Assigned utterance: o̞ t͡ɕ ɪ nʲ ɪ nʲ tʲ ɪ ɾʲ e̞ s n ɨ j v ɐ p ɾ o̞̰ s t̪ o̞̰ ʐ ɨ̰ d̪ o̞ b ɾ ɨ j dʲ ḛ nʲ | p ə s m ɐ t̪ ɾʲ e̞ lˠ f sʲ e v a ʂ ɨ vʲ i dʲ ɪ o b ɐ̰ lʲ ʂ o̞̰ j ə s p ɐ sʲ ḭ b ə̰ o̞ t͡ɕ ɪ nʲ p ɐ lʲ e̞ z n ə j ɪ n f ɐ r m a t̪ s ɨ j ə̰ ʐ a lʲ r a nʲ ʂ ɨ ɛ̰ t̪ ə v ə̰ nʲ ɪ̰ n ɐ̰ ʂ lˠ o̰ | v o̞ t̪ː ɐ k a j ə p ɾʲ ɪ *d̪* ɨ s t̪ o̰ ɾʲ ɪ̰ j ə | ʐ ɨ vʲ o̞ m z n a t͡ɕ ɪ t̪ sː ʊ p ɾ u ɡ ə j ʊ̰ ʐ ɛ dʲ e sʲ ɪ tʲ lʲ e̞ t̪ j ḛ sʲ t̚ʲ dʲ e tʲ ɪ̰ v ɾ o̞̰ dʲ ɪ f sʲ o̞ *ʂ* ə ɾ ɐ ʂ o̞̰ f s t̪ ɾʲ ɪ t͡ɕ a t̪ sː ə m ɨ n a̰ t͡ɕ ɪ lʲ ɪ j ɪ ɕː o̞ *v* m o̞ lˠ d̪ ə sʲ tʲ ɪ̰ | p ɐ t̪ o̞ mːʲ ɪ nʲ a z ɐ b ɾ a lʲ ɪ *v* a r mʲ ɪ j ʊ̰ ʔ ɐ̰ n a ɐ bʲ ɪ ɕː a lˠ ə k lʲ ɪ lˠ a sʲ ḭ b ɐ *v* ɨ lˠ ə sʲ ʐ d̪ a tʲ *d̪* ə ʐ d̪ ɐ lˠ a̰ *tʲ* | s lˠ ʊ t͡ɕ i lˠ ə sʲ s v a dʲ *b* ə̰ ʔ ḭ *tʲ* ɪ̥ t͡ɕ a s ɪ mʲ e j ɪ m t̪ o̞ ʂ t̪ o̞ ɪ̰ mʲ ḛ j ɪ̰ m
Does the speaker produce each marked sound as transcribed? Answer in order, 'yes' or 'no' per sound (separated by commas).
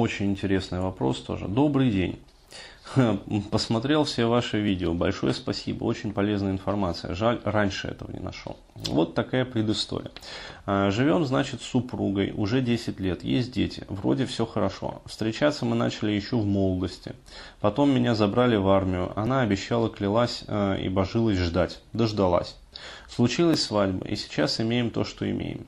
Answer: yes, no, yes, yes, no, yes, no, yes, no